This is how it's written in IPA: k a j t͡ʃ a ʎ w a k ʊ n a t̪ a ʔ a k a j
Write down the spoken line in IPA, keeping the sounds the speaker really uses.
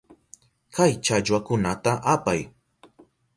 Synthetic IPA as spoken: k a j t͡ʃ a ʎ w a k ʊ n a t̪ a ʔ a p a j